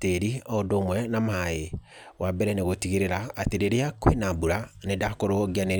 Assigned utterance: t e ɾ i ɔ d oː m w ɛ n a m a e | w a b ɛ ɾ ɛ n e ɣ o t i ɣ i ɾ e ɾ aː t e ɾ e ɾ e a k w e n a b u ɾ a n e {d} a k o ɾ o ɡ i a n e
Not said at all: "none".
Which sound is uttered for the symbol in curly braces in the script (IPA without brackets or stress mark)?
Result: d